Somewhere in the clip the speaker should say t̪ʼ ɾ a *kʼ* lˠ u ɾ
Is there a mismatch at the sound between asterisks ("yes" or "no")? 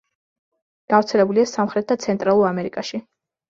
yes